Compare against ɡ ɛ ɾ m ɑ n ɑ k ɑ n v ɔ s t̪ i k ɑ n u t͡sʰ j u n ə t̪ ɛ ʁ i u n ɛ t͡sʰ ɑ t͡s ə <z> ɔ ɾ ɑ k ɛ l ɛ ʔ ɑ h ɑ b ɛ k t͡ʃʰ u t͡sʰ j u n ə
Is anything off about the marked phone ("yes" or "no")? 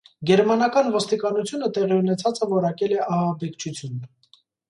yes